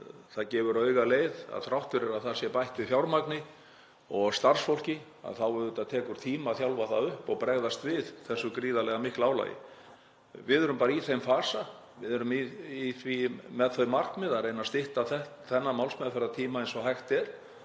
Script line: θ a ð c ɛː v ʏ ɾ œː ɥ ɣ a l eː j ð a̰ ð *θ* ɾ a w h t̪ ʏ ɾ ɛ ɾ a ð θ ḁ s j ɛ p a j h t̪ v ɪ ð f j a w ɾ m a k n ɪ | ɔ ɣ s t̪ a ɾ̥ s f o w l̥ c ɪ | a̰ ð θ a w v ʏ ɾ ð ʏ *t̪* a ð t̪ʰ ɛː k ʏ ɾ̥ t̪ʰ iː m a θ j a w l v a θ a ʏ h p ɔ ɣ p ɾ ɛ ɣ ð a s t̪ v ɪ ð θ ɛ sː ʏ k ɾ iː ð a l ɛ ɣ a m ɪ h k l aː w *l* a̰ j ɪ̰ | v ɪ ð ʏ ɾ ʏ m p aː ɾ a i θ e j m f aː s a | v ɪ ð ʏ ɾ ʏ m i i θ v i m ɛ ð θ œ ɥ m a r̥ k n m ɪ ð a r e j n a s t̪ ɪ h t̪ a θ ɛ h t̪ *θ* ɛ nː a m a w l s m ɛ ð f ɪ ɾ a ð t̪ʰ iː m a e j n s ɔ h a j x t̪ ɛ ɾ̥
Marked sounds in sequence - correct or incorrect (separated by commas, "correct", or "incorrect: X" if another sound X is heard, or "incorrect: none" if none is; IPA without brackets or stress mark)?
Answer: correct, correct, correct, correct